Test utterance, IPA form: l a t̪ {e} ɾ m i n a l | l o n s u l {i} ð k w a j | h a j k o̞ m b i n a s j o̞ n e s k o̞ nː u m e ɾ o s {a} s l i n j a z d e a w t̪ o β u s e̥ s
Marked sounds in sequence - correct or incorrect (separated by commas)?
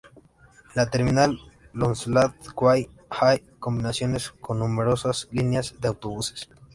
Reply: correct, incorrect, correct